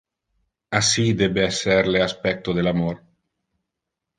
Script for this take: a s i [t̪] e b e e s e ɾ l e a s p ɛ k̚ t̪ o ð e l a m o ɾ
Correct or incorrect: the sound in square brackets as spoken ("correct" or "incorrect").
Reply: incorrect